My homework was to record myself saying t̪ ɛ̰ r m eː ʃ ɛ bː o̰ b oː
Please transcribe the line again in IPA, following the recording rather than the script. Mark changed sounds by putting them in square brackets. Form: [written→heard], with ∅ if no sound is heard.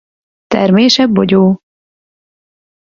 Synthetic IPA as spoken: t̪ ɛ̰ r m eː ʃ ɛ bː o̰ [b→ɟ] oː